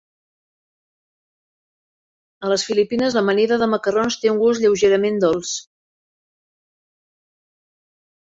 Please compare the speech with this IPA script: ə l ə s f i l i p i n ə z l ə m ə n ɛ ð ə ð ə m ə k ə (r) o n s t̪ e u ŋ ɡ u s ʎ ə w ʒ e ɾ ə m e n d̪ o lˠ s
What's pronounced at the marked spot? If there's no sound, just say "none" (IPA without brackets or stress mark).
r